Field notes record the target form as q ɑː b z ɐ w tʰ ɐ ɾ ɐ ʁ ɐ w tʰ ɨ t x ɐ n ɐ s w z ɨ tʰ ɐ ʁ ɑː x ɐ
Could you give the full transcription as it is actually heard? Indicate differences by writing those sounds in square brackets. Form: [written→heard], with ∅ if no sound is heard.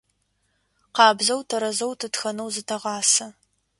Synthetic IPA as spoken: q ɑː b z ɐ w tʰ ɐ ɾ ɐ [ʁ→z] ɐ w tʰ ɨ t x ɐ n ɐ [s→∅] w z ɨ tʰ ɐ ʁ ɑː [x→s] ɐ